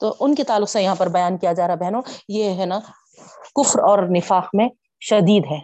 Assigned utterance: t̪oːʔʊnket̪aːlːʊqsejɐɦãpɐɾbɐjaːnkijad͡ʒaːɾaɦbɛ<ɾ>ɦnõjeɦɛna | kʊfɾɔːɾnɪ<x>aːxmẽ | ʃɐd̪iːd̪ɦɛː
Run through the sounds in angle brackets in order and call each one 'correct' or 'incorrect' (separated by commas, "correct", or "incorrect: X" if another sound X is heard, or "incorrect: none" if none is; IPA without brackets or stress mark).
incorrect: none, incorrect: f